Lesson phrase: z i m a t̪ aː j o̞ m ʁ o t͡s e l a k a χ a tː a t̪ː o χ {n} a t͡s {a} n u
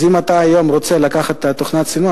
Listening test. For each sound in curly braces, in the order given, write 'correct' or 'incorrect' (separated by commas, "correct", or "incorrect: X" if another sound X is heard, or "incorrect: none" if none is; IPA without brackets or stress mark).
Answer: correct, incorrect: i